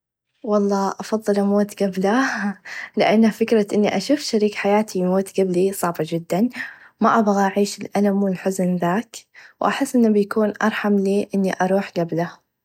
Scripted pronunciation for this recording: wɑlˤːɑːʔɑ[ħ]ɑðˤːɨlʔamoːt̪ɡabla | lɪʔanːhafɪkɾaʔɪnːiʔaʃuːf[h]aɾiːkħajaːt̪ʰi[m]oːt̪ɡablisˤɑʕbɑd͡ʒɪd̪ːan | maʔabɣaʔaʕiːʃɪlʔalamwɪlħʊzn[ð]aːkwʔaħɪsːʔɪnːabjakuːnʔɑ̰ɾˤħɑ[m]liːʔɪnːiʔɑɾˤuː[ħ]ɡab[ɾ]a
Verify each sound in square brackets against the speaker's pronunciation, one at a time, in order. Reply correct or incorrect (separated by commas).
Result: incorrect, incorrect, correct, correct, correct, correct, incorrect